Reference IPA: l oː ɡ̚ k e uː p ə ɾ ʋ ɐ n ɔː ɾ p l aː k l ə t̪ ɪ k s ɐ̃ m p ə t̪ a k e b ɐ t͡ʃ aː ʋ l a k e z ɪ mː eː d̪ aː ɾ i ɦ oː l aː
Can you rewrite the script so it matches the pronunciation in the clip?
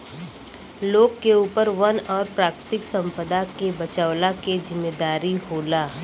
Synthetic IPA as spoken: l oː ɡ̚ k e uː p ə ɾ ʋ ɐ n ɔː ɾ p ɾ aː k ɾ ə t̪ ɪ k s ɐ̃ m p ə d̪ a k e b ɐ t͡ʃ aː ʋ l a k e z ɪ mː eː d̪ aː ɾ i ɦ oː l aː